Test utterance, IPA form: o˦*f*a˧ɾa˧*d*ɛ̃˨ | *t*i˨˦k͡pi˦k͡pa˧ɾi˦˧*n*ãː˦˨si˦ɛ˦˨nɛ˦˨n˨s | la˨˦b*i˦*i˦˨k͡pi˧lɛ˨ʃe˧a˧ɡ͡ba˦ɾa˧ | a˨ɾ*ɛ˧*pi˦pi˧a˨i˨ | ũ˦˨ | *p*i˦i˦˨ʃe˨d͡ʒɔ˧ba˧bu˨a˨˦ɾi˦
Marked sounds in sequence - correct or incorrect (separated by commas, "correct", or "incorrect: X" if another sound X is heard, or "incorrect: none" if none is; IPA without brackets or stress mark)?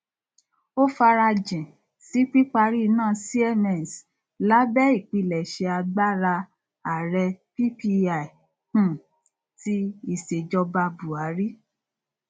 correct, incorrect: d͡ʒ, incorrect: s, correct, incorrect: ɛ˦, correct, incorrect: t